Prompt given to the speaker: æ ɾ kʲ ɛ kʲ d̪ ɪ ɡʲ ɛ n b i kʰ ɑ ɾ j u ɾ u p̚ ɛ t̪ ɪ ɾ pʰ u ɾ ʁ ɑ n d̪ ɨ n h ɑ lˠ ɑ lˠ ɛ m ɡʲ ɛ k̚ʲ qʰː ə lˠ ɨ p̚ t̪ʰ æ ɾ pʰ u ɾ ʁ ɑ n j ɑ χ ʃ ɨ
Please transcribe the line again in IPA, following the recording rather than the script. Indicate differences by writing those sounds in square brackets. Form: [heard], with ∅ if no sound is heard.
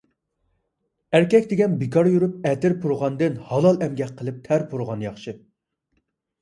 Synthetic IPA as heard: æ ɾ kʲ ɛ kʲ d̪ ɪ ɡʲ ɛ n b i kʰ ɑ ɾ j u ɾ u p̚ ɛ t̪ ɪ ɾ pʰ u ɾ ʁ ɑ n d̪ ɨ n h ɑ lˠ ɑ lˠ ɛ m ɡʲ ɛ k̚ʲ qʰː ə lˠ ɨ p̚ t̪ʰ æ ɾ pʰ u ɾ ʁ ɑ n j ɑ χ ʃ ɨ